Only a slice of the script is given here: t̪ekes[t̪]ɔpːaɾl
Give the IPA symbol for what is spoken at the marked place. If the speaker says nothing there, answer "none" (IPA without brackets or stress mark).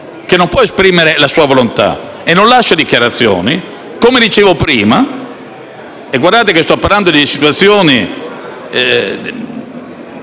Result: t̪